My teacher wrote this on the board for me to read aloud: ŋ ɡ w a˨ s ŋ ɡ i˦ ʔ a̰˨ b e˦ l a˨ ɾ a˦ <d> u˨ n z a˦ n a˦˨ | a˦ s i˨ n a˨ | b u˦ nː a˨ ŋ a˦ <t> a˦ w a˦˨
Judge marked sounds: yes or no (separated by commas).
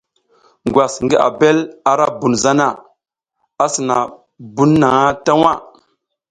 no, yes